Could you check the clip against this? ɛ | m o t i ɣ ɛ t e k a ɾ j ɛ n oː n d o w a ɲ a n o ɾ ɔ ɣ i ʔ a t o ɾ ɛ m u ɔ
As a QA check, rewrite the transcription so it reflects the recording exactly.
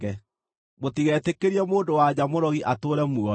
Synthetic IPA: ɛ | m o t i ɣ ɛ t e k e ɾ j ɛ m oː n d o w a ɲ a m o ɾ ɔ ɣ i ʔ a t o ɾ ɛ m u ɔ